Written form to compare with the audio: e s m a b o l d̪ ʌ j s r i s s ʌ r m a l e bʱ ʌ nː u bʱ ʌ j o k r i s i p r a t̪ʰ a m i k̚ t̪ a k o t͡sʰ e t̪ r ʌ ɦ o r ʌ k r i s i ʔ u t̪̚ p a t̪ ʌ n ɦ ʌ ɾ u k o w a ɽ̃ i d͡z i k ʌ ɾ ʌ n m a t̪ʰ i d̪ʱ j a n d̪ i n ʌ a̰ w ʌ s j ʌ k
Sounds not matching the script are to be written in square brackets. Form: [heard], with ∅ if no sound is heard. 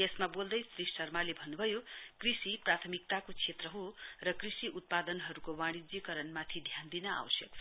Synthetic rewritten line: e s m a b o l d̪ ʌ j s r i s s ʌ r m a l e bʱ ʌ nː u bʱ ʌ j o k r i s i p r a t̪ʰ [ʌ] m i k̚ t̪ a k o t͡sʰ e t̪ r ʌ ɦ o r ʌ k r i s i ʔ u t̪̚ p a [d̪] ʌ n ɦ ʌ ɾ u k o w a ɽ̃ i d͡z i k ʌ ɾ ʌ n m a t̪ʰ i d̪ʱ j a n d̪ i n ʌ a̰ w ʌ s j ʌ k